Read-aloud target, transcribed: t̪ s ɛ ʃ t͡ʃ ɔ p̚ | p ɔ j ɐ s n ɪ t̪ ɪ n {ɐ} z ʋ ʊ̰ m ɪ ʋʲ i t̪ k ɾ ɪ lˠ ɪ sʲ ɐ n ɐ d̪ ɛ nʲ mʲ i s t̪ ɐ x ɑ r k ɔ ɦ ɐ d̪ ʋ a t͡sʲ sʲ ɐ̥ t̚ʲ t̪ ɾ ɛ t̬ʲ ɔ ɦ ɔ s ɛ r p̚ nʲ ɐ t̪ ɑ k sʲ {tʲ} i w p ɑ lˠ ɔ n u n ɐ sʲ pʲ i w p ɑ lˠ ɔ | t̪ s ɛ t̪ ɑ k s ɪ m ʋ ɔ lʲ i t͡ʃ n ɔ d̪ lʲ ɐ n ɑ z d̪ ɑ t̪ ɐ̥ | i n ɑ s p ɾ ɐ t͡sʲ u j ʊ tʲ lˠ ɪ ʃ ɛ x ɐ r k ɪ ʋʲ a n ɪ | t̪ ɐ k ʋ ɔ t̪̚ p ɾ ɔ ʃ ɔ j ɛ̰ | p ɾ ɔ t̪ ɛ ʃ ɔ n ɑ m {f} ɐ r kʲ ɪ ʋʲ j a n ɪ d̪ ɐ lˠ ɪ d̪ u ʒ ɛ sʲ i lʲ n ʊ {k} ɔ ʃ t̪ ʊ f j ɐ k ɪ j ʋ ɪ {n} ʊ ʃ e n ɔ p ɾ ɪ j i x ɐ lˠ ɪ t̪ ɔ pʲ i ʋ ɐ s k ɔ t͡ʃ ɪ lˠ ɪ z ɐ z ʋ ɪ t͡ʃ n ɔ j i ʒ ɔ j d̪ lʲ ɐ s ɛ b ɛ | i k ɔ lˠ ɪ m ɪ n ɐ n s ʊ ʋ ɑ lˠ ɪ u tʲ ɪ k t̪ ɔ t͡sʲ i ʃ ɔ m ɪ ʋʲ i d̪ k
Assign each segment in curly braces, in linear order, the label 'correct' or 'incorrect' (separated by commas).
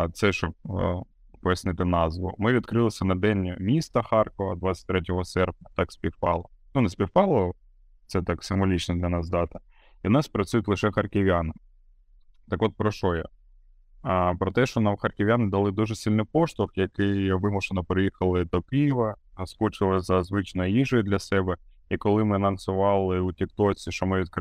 incorrect, incorrect, incorrect, incorrect, incorrect